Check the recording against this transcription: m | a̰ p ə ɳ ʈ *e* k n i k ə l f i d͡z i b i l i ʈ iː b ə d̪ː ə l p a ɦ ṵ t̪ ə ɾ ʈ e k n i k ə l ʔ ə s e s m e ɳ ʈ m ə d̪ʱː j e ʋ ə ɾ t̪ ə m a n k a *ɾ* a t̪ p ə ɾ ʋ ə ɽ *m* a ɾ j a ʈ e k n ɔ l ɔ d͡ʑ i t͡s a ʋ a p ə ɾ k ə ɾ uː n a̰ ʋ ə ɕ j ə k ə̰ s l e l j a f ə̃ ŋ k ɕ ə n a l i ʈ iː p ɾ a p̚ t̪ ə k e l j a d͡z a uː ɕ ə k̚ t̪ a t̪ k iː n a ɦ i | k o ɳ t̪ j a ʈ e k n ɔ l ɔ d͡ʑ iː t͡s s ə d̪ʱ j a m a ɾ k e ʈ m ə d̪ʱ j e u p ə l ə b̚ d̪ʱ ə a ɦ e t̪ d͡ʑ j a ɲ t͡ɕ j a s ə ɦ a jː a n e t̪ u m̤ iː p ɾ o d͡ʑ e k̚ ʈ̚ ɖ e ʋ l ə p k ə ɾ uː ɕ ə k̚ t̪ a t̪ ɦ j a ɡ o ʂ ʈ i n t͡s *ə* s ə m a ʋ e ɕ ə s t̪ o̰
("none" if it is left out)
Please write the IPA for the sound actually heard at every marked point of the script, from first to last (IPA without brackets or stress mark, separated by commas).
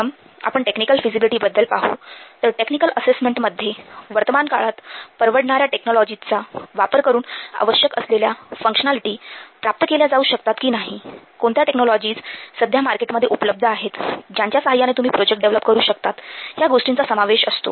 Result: e, ɭ, ɳ, a